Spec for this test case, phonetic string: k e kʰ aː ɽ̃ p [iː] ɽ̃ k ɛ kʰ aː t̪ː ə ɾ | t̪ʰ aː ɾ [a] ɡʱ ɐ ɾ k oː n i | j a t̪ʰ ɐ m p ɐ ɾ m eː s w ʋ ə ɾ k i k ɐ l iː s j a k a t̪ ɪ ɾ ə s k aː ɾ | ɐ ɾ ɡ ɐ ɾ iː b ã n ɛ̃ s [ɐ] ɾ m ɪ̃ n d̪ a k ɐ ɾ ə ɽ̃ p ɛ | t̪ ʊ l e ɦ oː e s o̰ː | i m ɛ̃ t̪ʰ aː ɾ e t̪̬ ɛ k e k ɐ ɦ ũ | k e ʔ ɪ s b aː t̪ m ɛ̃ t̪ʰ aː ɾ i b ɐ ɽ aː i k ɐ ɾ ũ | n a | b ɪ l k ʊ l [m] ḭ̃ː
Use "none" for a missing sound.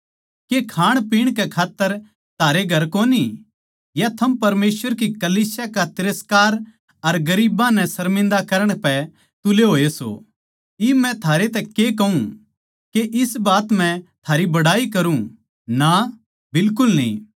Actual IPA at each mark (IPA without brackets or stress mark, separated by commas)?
iː, e, ɐ, n